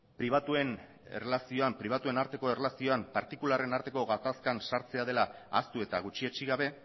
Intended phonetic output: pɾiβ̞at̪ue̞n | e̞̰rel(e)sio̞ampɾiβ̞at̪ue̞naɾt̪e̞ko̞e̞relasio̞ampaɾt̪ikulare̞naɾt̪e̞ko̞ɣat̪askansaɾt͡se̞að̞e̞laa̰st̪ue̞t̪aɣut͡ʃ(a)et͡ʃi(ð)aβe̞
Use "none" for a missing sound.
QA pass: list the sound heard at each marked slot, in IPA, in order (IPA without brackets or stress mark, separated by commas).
a, i, ɣ